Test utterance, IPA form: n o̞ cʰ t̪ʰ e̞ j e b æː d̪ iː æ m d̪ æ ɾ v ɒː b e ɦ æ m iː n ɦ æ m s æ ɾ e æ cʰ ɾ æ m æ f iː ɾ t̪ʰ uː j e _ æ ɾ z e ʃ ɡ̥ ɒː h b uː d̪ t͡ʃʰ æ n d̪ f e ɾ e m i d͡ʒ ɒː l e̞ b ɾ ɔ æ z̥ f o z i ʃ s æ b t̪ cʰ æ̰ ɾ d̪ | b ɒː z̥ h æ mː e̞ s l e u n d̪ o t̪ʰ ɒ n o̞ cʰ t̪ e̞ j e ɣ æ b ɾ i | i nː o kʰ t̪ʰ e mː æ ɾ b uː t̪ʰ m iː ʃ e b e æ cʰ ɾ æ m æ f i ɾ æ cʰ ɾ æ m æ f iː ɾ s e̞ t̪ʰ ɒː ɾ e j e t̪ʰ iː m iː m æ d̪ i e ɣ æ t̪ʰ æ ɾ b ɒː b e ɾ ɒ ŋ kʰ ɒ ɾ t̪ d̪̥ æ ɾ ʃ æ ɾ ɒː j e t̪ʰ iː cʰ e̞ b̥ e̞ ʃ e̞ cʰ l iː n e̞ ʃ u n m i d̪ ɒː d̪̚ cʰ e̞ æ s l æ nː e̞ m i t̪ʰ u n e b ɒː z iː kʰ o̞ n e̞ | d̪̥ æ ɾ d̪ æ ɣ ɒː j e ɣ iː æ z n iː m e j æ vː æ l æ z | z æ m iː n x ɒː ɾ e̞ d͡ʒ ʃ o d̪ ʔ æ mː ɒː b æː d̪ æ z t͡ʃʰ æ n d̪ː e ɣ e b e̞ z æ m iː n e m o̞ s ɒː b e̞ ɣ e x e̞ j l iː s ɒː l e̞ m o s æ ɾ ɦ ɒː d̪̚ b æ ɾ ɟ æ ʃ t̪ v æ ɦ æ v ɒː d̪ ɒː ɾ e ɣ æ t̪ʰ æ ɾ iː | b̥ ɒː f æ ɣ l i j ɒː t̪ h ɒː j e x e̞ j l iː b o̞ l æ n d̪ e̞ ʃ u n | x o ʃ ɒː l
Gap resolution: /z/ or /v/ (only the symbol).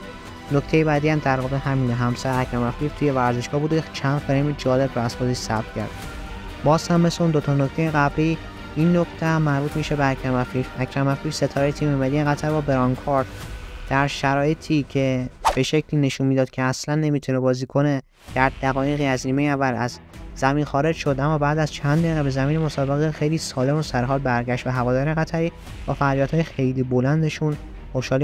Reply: v